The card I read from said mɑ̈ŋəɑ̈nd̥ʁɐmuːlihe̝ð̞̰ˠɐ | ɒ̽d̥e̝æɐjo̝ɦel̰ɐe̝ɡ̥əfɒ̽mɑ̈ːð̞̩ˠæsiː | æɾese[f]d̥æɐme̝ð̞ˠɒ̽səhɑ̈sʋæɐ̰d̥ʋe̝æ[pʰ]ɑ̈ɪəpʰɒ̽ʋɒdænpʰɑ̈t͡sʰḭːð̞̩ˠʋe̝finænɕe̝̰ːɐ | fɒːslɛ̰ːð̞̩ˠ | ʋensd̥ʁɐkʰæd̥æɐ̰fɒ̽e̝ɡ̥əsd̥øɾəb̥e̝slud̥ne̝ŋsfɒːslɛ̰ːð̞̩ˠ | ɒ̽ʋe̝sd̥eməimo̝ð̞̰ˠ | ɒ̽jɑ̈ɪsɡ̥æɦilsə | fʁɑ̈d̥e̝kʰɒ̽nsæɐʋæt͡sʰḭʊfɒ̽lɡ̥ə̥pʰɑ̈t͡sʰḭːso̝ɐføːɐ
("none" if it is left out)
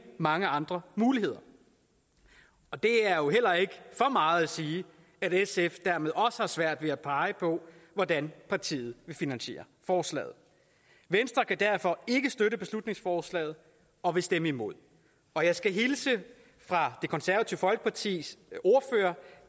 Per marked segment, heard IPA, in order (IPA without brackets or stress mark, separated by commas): f, pʰ